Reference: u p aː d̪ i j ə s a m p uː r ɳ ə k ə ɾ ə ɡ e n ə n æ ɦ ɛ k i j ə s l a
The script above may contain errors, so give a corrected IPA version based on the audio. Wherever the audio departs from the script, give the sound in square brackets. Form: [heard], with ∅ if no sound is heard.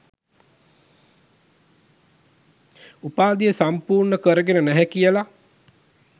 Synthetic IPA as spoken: u p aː d̪ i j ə s a m p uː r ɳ ə k ə ɾ ə ɡ e n ə n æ ɦ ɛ k i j ə [∅] l a